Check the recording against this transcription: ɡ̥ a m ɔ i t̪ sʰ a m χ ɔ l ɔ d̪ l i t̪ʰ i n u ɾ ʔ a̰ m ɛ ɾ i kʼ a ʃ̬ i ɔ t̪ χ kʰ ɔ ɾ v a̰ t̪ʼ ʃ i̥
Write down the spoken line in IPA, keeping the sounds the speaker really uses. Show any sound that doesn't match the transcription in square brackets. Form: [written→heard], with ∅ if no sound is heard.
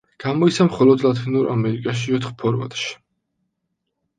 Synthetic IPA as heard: ɡ̥ a m ɔ i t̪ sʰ a m χ ɔ l ɔ d̪ l [i→a] t̪ʰ i n u ɾ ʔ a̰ m ɛ ɾ i kʼ a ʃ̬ i ɔ t̪ χ [kʰ→pʰ] ɔ ɾ v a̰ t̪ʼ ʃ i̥